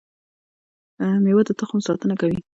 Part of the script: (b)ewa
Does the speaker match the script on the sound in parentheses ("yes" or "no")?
no